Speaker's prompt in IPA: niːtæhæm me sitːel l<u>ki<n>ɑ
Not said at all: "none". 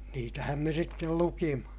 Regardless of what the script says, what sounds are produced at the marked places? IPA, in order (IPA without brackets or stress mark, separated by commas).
u, m